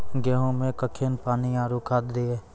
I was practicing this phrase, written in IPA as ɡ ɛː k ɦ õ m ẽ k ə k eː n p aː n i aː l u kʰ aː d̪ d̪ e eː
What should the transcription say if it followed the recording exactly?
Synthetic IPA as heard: ɡ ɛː ɦ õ m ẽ k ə kʰ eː n p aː n i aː ɾ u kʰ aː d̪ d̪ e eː